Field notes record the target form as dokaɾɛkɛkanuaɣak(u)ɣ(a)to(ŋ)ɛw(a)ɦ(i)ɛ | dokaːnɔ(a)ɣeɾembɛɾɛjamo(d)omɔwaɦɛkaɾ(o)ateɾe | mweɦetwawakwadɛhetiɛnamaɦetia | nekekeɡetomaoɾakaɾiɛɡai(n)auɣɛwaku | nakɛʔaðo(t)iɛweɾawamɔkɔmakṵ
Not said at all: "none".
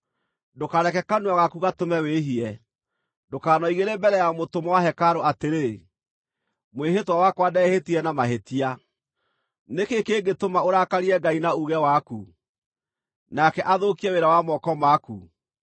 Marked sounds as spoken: u, a, m, e, i, i, t, o, n, k

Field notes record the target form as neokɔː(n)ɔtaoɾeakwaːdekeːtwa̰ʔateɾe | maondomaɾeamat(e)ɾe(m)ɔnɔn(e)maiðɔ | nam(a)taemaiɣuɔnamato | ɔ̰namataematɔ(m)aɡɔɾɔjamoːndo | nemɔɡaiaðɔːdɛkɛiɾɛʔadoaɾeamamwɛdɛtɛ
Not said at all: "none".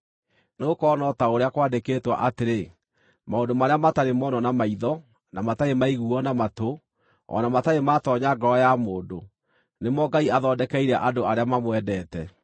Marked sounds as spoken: n, a, m, a, a, ɲ

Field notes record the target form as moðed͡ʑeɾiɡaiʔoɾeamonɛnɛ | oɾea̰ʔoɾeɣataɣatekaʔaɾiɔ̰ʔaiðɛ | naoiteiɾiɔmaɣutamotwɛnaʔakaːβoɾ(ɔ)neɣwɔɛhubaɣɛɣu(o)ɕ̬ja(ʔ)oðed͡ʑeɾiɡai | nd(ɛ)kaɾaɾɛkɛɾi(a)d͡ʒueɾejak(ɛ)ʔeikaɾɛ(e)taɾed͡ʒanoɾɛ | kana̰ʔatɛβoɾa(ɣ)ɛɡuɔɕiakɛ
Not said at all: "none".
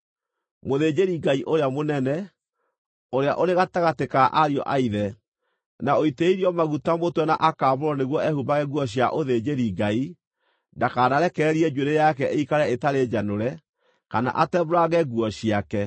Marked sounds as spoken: ɔ, ɔ, ʔ, a, ɛ, ɛ, e, ɣ

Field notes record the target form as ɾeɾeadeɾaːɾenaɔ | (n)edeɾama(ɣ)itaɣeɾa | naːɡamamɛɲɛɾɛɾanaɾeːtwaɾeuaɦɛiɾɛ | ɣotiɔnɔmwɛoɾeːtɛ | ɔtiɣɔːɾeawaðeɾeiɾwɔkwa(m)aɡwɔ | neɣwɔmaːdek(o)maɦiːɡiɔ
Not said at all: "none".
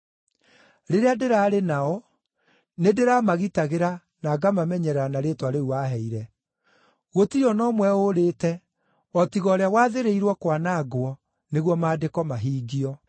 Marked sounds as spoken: n, ɣ, n, ɔ

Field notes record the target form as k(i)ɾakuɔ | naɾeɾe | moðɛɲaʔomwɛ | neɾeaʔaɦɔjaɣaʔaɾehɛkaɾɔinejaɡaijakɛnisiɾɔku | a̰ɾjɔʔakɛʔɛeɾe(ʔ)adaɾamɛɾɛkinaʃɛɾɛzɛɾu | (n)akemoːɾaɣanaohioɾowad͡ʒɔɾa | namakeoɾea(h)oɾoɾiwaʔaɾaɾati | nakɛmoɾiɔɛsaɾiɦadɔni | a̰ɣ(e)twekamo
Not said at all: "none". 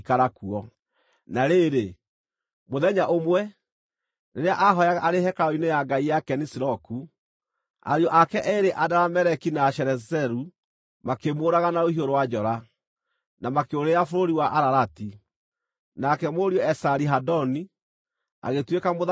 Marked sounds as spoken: a, ʔ, m, f, e

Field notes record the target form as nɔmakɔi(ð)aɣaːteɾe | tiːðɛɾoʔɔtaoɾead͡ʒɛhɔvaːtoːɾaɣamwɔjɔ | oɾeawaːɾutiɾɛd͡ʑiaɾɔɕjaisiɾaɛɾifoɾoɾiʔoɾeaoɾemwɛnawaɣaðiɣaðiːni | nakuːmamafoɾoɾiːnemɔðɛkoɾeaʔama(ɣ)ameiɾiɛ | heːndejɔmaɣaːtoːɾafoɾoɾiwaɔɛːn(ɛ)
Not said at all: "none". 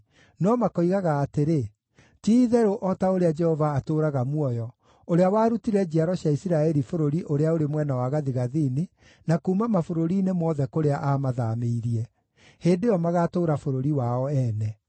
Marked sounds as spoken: ɣ, ð, ɛ

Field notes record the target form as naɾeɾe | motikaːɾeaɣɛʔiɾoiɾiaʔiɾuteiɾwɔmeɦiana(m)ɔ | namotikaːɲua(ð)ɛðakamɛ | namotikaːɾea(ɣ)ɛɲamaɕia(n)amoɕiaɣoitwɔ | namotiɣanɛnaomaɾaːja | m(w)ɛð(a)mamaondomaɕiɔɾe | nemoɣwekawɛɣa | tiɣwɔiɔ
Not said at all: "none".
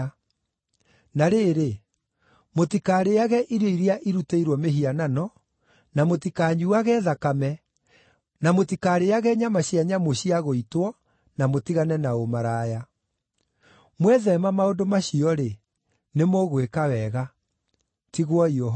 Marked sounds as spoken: n, ɣ, ɣ, ɲ, w, ɛ

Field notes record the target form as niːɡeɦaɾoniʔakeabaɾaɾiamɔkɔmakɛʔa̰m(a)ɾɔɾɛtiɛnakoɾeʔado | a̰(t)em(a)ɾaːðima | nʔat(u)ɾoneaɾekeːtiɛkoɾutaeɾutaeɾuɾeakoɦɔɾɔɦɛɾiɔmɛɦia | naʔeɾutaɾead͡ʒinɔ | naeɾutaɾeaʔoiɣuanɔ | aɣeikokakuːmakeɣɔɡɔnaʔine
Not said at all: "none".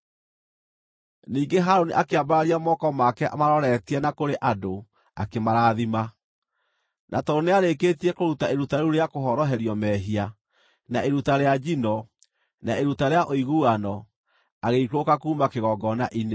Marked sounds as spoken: a, k, a, ɔ

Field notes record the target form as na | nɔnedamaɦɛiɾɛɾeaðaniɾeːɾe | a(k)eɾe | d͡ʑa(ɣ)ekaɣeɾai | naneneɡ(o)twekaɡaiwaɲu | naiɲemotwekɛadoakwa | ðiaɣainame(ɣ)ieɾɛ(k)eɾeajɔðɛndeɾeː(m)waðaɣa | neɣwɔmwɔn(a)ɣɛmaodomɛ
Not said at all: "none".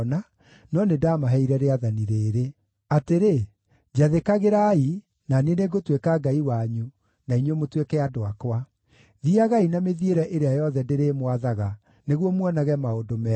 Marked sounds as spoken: t, ð, o, ð, ʔ, m, a

